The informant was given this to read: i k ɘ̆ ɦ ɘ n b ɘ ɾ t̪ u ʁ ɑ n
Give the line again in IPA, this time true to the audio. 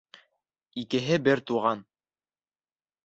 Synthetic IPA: i k ɘ̆ ɦ ɘ b ɘ ɾ t̪ u ʁ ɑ n